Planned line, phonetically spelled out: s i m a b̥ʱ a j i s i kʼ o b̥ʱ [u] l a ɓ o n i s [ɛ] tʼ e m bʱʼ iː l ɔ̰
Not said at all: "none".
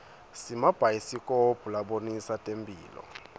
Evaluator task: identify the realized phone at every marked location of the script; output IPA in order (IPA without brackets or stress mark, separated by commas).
u, a